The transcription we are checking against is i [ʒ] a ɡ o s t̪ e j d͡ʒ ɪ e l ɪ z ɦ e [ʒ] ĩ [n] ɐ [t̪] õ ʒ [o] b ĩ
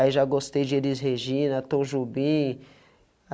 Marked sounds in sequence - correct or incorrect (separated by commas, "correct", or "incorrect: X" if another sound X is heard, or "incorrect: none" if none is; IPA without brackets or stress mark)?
correct, correct, correct, correct, incorrect: u